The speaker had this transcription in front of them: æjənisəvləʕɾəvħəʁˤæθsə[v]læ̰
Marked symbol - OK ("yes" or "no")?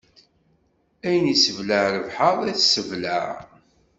yes